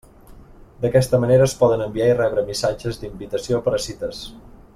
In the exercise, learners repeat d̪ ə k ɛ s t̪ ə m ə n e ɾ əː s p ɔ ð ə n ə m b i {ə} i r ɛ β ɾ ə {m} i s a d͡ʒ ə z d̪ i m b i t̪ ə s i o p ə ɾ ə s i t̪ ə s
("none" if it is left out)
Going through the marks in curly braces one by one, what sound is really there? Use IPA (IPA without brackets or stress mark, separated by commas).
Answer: a, m